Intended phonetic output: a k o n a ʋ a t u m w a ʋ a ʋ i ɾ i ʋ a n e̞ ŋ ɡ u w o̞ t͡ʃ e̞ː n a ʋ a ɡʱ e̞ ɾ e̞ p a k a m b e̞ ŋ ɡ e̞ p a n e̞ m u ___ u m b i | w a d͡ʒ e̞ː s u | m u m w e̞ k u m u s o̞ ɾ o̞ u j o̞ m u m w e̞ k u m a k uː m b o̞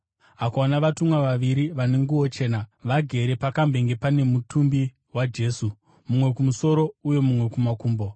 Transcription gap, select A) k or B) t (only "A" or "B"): B